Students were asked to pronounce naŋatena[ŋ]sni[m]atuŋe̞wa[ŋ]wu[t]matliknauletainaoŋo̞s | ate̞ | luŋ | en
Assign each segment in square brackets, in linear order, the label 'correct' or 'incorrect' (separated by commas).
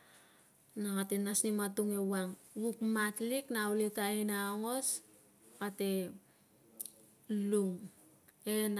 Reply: incorrect, correct, correct, incorrect